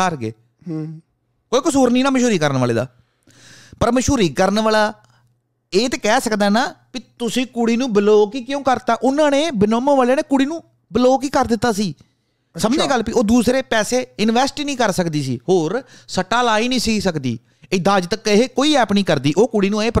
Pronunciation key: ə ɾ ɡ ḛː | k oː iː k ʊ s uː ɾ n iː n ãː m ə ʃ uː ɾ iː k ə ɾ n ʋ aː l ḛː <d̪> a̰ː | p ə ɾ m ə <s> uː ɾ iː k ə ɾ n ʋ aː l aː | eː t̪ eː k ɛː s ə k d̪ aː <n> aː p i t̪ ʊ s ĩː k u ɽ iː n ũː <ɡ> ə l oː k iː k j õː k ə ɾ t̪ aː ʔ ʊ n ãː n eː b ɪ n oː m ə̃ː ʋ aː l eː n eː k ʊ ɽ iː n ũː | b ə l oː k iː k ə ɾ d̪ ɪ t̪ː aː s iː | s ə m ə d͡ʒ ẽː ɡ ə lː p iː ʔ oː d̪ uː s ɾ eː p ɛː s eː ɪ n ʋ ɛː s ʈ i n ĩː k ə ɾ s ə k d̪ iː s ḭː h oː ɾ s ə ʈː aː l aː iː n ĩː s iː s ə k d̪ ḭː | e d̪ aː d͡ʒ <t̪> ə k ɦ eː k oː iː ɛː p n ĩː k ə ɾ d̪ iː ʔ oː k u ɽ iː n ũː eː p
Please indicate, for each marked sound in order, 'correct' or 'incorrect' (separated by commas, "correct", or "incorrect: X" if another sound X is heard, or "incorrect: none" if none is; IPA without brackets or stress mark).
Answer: correct, incorrect: ʃ, correct, incorrect: b, correct